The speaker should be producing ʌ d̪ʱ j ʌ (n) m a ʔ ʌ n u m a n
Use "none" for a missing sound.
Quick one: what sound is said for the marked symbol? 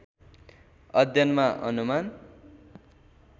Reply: n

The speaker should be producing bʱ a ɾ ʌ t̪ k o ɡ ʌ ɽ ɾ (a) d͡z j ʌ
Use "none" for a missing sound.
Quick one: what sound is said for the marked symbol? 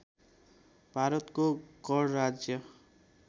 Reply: a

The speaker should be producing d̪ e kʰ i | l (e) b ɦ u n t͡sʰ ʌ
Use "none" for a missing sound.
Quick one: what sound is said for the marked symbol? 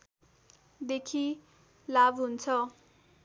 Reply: a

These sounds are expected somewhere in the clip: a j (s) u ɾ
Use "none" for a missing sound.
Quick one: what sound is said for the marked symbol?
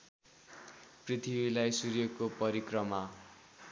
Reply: s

